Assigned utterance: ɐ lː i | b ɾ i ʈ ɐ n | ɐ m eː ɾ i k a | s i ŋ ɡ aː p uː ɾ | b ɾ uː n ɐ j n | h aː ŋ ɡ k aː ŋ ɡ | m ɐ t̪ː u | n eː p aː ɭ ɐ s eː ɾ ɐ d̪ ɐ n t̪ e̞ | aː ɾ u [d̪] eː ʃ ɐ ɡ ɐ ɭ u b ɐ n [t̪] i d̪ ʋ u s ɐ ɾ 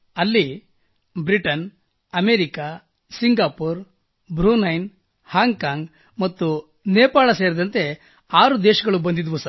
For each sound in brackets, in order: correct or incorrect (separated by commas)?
correct, incorrect